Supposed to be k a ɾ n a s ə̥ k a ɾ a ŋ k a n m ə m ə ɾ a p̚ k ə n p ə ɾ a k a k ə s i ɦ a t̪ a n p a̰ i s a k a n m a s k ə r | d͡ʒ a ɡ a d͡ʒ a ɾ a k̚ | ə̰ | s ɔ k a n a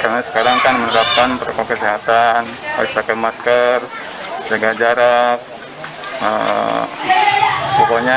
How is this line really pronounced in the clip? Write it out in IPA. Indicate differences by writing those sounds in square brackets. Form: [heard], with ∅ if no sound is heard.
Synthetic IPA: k a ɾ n a s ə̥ k a ɾ a ŋ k a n m ə [n] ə ɾ a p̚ k [a] n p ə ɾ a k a k ə s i ɦ a t̪ a n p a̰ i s a k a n m a s k ə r | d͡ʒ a ɡ a d͡ʒ a ɾ a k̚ | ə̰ | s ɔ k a [ɲ] a